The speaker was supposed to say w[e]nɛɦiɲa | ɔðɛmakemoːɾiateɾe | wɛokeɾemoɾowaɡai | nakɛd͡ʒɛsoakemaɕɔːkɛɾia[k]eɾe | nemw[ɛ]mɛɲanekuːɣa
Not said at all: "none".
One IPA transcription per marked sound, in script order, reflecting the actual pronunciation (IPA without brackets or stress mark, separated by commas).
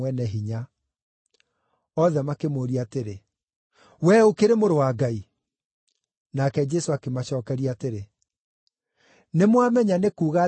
ɛ, t, a